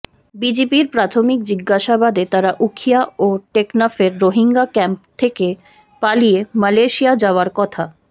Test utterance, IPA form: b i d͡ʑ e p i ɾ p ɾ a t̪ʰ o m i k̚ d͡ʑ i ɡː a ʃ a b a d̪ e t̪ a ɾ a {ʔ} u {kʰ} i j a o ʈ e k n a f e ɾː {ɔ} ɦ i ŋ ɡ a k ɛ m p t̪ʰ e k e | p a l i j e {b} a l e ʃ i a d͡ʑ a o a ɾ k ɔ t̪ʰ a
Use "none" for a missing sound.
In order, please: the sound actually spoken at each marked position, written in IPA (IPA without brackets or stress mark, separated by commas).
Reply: ʔ, kʰ, o, m